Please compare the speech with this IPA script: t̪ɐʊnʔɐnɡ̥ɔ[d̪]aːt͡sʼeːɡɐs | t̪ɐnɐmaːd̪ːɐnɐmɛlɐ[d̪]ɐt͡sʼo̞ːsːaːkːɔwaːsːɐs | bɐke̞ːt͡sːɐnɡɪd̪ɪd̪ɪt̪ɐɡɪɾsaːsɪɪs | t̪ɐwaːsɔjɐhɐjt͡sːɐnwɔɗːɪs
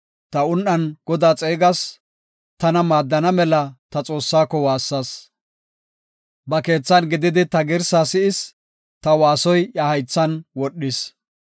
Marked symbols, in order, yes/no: yes, no

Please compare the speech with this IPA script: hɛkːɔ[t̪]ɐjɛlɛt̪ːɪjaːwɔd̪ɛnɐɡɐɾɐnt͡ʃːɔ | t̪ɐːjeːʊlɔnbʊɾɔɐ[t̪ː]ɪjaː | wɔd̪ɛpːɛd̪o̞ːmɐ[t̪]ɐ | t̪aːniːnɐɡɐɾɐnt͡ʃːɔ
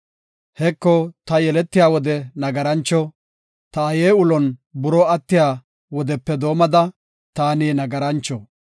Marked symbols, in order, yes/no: yes, yes, no

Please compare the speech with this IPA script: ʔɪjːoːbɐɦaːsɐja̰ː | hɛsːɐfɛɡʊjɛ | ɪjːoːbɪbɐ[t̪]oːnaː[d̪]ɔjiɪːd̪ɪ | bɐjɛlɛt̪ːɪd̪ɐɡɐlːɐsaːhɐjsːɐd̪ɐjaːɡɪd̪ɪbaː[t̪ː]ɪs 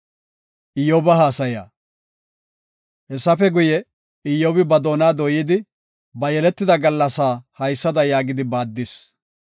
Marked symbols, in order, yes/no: no, yes, no

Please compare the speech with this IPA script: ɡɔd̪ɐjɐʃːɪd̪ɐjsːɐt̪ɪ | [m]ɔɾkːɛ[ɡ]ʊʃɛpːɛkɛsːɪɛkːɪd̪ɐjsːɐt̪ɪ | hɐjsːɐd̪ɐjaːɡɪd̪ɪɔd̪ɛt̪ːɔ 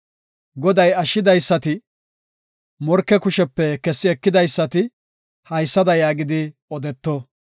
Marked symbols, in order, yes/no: yes, no

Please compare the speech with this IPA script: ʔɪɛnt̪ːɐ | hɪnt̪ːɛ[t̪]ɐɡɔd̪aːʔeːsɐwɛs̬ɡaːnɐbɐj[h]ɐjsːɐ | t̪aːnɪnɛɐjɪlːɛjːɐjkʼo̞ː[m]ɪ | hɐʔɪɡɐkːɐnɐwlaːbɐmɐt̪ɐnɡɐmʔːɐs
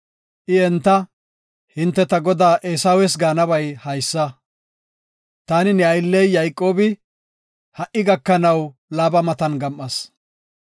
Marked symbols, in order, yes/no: yes, yes, no

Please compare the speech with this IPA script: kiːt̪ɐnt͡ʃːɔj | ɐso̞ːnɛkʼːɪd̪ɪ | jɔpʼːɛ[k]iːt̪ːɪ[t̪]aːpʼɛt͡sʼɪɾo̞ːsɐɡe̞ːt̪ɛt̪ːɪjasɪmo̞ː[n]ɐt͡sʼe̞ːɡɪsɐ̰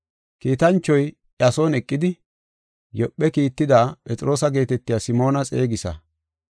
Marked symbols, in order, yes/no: yes, no, yes

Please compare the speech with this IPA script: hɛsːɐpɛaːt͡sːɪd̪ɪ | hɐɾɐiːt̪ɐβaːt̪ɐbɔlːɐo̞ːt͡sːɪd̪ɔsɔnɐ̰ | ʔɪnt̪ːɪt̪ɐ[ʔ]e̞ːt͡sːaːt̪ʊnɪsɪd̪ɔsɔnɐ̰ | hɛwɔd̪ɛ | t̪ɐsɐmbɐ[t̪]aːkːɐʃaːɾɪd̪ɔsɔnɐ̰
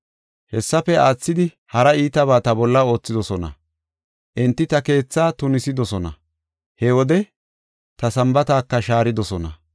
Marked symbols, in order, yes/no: no, yes

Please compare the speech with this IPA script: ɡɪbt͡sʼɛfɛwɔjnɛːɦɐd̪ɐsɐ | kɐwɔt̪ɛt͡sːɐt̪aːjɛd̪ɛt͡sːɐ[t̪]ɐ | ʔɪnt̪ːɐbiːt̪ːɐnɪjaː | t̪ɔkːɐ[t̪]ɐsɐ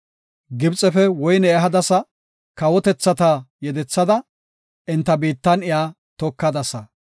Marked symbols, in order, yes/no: no, no

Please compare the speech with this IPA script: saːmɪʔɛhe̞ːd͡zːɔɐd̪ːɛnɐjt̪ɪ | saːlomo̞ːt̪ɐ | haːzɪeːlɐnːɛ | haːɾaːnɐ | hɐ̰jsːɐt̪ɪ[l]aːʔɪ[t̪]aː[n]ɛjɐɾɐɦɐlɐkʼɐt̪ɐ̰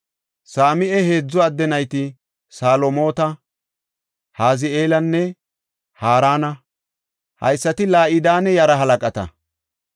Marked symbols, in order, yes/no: yes, no, yes

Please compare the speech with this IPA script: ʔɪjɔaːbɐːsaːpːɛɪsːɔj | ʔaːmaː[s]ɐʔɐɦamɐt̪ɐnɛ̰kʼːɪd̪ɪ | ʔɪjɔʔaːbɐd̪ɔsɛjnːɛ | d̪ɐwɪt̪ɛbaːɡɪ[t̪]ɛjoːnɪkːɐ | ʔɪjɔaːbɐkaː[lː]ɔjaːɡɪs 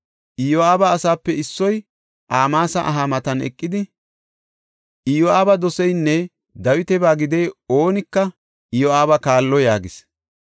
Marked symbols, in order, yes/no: yes, no, yes

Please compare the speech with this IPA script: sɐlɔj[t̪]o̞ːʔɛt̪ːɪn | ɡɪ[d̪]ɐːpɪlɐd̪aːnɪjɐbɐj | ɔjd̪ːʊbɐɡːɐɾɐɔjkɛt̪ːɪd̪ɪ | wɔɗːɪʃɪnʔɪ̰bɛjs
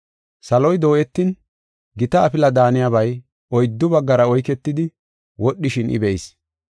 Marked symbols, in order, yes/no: no, no

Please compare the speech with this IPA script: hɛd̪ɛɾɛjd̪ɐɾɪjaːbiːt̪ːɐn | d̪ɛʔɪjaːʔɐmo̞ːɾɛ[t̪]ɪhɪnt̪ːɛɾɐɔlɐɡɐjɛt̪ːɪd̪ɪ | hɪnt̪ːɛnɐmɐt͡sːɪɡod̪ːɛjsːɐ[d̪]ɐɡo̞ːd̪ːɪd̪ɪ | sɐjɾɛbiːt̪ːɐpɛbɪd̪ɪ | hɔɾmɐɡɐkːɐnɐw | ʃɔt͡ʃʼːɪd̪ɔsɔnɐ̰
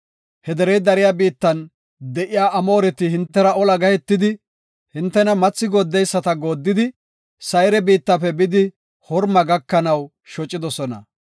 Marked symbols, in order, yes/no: yes, no

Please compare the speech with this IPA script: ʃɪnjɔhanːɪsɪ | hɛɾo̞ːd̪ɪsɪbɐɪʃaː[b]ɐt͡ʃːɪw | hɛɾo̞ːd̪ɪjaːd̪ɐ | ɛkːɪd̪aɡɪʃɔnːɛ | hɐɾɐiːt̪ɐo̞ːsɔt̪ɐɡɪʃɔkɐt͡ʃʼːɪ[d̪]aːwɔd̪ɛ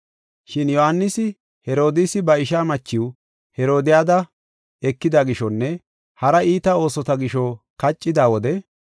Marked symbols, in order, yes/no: no, yes

